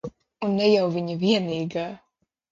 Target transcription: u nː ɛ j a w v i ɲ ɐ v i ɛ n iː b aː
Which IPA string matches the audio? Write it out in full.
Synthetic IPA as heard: u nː ɛ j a w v i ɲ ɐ v i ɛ n iː ɡ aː